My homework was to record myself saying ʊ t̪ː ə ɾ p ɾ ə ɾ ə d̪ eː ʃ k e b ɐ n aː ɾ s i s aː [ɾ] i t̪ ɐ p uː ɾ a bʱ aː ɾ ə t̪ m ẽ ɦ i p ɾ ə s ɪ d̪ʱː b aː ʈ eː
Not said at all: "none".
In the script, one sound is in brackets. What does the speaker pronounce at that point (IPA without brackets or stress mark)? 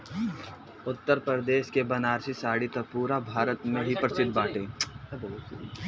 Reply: ɽ